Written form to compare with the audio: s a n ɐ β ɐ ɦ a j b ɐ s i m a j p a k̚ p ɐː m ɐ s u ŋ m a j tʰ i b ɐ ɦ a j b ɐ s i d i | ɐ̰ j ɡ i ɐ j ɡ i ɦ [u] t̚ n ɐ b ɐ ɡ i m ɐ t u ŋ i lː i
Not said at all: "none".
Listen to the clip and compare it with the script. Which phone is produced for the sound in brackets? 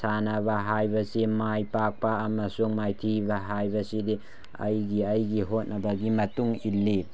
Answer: o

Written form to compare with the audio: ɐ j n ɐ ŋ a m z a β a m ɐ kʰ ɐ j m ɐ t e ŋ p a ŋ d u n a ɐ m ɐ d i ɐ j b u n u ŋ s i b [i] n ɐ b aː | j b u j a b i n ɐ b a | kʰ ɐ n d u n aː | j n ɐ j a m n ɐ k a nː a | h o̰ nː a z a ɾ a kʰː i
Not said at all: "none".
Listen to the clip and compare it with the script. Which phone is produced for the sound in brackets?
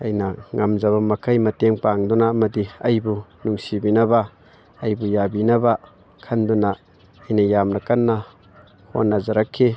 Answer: i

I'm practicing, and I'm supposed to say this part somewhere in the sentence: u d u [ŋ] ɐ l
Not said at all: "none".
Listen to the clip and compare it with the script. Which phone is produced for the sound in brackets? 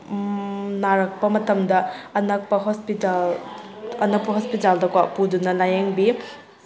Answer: n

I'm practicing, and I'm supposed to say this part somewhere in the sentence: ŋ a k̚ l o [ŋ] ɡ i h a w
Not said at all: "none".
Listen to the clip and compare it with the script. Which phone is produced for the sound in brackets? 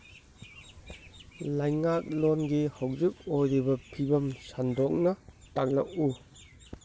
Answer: n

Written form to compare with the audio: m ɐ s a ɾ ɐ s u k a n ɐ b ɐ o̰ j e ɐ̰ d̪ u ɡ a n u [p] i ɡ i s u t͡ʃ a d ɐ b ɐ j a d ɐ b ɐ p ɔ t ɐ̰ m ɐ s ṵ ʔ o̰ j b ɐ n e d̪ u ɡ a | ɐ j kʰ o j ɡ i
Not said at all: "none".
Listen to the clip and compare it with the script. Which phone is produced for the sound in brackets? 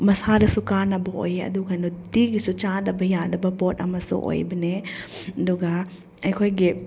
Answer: t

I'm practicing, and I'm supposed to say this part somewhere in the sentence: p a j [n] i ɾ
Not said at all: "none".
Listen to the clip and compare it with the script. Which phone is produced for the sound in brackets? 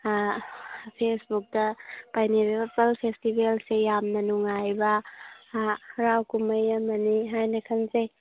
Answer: n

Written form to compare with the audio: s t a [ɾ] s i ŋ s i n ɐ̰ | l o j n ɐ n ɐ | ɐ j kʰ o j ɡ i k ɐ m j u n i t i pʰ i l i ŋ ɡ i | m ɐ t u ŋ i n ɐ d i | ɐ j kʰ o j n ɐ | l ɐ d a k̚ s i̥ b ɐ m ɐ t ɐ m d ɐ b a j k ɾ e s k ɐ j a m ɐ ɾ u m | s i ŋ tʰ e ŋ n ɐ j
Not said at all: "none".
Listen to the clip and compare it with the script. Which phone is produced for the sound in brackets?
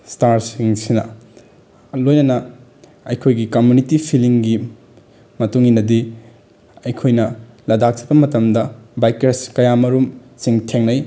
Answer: ɾ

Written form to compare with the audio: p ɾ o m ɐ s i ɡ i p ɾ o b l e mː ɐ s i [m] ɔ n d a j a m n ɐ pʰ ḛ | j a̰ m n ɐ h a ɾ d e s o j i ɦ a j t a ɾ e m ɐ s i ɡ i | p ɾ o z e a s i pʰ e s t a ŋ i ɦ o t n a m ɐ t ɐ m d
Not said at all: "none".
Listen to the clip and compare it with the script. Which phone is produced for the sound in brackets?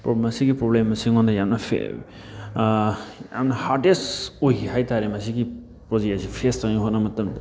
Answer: ŋ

